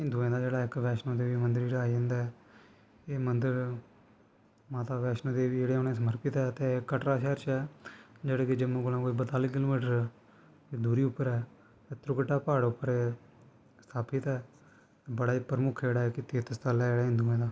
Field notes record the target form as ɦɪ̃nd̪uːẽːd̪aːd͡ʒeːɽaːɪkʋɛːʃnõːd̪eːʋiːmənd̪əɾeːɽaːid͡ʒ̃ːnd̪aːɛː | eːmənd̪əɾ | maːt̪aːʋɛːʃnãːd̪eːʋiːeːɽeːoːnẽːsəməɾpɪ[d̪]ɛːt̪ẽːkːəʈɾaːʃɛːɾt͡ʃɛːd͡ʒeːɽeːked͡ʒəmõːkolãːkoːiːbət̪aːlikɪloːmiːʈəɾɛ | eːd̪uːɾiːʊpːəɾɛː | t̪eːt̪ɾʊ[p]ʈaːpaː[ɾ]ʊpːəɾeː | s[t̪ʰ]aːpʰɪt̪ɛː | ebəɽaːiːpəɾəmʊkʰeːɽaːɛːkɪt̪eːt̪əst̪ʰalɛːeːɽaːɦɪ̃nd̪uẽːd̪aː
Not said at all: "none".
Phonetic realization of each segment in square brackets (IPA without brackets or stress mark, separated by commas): t̪, k, ɽ, t̪ʰ